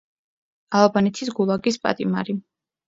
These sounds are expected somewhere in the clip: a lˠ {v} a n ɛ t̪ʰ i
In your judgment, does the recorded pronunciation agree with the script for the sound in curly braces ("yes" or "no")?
no